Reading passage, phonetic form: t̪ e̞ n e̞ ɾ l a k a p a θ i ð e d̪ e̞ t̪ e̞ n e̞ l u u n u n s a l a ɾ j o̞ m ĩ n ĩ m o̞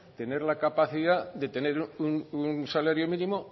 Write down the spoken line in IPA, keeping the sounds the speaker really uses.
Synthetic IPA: t̪ e̞ n e̞ ɾ l a k a p a θ i ð a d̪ e̞ t̪ e̞ n e̞ ɾ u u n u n s a l a ɾ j o̞ m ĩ n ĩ m o̞